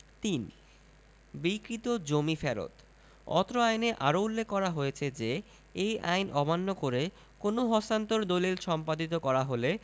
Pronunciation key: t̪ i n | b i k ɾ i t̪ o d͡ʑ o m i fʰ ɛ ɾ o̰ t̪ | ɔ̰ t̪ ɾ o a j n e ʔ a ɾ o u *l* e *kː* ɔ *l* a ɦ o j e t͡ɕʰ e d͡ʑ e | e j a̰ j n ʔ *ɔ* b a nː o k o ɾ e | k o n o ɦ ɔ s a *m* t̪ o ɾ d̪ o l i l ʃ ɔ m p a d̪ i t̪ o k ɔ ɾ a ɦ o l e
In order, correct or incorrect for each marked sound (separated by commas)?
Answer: incorrect, correct, incorrect, correct, incorrect